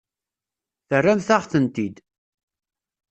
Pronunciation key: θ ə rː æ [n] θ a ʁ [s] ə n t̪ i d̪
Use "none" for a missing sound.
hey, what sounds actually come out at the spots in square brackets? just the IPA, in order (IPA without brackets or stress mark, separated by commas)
m, θ